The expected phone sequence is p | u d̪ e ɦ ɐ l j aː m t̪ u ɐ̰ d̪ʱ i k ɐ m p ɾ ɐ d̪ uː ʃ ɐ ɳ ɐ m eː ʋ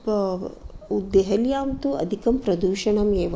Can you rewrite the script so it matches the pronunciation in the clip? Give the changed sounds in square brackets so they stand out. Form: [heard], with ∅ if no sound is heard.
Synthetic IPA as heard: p | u d̪ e ɦ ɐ l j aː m t̪ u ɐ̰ d̪ʱ i k ɐ m p ɾ ɐ d̪ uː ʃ ɐ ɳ ɐ m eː ʋ

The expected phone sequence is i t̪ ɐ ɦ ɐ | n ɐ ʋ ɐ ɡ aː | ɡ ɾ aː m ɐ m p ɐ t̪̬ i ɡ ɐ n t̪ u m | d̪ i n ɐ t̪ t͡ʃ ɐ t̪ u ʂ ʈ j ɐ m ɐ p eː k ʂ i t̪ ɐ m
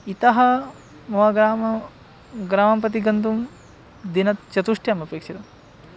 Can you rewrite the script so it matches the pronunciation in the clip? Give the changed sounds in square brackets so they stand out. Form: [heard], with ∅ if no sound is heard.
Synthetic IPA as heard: i t̪ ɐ ɦ ɐ | [m] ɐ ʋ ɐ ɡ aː | ɡ ɾ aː m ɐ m p ɐ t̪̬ i ɡ ɐ n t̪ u m | d̪ i n ɐ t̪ t͡ʃ ɐ t̪ u ʂ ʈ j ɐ m ɐ p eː k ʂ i t̪ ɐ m

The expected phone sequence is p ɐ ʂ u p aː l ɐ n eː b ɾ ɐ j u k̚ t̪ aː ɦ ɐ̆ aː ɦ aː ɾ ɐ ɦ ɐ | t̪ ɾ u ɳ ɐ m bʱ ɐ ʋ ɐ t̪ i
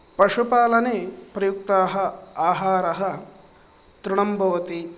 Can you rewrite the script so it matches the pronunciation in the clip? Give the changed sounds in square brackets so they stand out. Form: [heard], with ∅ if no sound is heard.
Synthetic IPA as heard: p ɐ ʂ u p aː l ɐ n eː [p] ɾ ɐ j u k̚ t̪ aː ɦ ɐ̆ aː ɦ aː ɾ ɐ ɦ ɐ | t̪ ɾ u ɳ ɐ m bʱ ɐ ʋ ɐ t̪ i

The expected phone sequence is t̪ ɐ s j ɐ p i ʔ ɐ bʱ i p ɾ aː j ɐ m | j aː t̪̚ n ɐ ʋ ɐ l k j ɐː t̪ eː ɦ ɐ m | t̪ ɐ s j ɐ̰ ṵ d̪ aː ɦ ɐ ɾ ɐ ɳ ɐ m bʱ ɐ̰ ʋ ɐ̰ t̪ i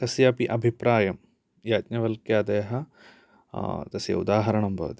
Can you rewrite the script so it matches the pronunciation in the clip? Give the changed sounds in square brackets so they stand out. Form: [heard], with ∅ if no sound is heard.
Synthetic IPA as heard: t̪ ɐ s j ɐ p i ʔ ɐ bʱ i p ɾ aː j ɐ m | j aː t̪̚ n ɐ ʋ ɐ l k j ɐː [d̪] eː ɦ ɐ [∅] | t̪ ɐ s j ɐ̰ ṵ d̪ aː ɦ ɐ ɾ ɐ ɳ ɐ m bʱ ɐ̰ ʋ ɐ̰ t̪ i

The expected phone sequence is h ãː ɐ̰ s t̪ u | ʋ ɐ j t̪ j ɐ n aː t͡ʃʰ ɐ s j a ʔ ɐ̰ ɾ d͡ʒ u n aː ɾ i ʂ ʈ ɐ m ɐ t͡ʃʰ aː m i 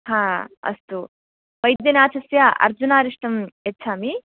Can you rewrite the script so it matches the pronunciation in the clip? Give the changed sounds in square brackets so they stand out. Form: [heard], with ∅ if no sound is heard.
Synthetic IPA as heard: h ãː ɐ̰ s t̪ u | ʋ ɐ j [d̪] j ɐ n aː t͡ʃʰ ɐ s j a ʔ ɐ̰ ɾ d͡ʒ u n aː ɾ i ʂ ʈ ɐ m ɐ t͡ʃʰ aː m i

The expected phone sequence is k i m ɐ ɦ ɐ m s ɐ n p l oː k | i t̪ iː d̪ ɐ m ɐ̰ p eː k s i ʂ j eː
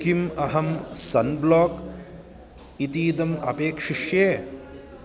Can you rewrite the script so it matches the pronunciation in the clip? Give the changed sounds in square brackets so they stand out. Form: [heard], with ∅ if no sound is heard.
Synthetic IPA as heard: k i m ɐ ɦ ɐ m s ɐ n [b] l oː k | i t̪ iː d̪ ɐ m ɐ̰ p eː k [ʂ] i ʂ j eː

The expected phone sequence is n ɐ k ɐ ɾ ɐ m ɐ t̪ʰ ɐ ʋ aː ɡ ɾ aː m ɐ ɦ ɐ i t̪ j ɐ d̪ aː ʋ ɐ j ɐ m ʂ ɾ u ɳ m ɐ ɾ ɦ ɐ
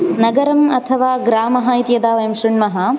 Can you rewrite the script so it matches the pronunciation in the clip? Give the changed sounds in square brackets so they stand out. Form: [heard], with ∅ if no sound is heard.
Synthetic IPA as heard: n ɐ [ɡ] ɐ ɾ ɐ m ɐ t̪ʰ ɐ ʋ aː ɡ ɾ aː m ɐ ɦ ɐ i t̪ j ɐ d̪ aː ʋ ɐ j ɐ m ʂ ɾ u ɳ m ɐ [∅] ɦ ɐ

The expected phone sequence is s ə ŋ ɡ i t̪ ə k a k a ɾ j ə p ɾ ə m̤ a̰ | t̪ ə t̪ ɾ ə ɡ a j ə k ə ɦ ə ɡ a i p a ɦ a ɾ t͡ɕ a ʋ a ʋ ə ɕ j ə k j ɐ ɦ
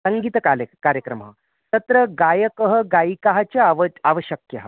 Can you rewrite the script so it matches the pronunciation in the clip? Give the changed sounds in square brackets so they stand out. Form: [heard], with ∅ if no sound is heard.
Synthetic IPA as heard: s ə ŋ ɡ i t̪ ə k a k a ɾ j ə [k] ɾ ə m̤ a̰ | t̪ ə t̪ ɾ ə ɡ a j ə k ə ɦ ə ɡ a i [k] a ɦ a [∅] t͡ɕ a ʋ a ʋ ə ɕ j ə k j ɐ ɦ

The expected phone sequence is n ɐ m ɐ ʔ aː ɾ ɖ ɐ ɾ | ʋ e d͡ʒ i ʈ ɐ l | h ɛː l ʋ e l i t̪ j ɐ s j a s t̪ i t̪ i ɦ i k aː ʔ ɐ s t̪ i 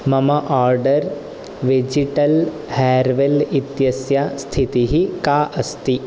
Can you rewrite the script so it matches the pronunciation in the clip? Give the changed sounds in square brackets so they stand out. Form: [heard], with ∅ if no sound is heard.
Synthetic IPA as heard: [m] ɐ m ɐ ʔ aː ɾ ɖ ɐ ɾ | ʋ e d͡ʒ i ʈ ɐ l | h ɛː [ɾ] ʋ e l i t̪ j ɐ s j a s [t̪ʰ] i t̪ i ɦ i k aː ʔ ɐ s t̪ i

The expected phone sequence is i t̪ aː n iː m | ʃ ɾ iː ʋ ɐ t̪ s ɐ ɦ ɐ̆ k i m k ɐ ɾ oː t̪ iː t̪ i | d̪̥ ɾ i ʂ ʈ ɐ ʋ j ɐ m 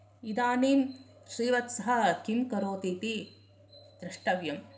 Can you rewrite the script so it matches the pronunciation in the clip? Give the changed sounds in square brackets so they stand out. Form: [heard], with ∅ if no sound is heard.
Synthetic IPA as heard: i [d̪] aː n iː m | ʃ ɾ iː ʋ ɐ t̪ s ɐ ɦ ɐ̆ k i m k ɐ ɾ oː t̪ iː t̪ i | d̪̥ ɾ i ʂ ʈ ɐ ʋ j ɐ m

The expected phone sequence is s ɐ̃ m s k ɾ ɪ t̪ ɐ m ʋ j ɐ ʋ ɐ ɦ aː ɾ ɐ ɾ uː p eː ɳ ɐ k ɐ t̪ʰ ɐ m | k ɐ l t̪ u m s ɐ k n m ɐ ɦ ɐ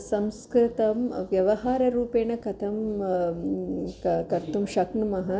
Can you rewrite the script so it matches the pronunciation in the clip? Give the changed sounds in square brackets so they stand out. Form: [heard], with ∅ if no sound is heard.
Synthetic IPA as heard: s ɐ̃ m s k ɾ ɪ t̪ ɐ m ʋ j ɐ ʋ ɐ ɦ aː ɾ ɐ ɾ uː p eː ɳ ɐ k ɐ t̪ʰ ɐ m | k ɐ [ɾ] t̪ u m [ʃ] ɐ k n m ɐ ɦ ɐ

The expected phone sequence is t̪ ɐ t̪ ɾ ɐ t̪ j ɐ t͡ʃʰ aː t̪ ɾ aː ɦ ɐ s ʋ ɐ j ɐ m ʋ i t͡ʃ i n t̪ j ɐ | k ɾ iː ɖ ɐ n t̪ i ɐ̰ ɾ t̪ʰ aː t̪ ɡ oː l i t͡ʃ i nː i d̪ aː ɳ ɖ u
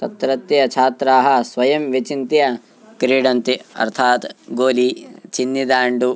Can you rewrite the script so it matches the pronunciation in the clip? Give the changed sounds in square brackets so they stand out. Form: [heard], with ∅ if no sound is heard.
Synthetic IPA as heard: t̪ ɐ t̪ ɾ ɐ t̪ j ɐ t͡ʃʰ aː t̪ ɾ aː ɦ ɐ s ʋ ɐ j ɐ m ʋ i t͡ʃ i n t̪ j ɐ | k ɾ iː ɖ ɐ n t̪ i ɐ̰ ɾ t̪ʰ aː t̪ ɡ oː l i t͡ʃ i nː i d̪ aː ɳ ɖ u

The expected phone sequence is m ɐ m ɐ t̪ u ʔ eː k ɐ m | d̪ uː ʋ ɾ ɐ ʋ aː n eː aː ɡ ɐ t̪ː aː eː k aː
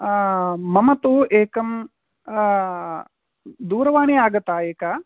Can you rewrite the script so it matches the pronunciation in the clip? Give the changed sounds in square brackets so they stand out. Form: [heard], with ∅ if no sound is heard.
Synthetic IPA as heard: m ɐ m ɐ t̪ u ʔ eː k ɐ m | d̪ uː [∅] ɾ ɐ ʋ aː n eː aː ɡ ɐ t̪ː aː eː k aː

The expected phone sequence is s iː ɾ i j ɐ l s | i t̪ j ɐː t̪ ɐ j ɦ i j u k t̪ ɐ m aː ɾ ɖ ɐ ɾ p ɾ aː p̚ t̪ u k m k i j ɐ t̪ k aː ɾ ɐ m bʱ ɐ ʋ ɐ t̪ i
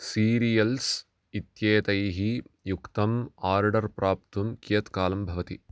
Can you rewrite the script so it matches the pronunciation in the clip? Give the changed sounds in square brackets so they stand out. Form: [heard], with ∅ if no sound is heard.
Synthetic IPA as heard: s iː ɾ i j ɐ l s | i t̪ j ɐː t̪ ɐ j ɦ i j u k t̪ ɐ m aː ɾ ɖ ɐ ɾ p ɾ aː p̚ t̪ u [∅] m k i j ɐ t̪ k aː [l] ɐ m bʱ ɐ ʋ ɐ t̪ i

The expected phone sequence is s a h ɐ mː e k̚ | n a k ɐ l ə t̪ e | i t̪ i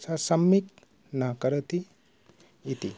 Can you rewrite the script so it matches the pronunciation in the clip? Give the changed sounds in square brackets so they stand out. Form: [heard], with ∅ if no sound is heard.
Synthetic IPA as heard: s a [s] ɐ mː [i] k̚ | n a k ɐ [ɾ] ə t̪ [i] | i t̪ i

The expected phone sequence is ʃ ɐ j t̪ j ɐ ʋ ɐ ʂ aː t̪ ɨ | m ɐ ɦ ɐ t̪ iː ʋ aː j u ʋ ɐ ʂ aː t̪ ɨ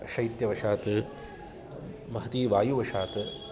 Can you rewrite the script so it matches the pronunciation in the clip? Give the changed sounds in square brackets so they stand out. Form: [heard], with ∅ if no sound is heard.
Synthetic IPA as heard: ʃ ɐ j t̪ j ɐ ʋ ɐ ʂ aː t̪ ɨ | m ɐ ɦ ɐ t̪ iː ʋ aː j u ʋ ɐ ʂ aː t̪ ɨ

